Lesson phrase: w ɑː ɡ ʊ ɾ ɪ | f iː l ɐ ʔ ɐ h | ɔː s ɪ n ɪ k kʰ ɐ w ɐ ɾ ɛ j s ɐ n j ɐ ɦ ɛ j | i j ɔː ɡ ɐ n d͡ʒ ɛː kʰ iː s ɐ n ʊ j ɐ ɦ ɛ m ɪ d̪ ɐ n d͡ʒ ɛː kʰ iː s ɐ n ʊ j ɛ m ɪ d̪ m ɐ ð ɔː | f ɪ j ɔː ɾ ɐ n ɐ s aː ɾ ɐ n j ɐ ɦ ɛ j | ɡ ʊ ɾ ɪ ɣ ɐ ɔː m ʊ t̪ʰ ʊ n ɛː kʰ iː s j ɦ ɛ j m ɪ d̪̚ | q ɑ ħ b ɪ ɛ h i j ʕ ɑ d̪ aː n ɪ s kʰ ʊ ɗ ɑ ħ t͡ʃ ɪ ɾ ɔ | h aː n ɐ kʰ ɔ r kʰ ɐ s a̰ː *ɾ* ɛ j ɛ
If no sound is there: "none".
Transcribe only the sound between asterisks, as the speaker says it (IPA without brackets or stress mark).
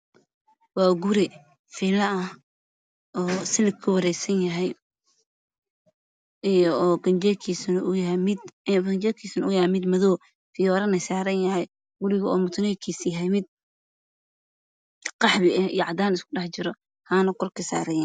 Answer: ɾ